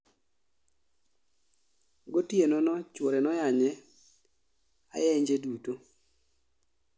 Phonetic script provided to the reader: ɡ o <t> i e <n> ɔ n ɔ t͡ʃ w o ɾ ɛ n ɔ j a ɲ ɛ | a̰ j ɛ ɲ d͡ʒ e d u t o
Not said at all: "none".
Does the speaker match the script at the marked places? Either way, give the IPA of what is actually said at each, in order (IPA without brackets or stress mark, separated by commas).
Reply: t, n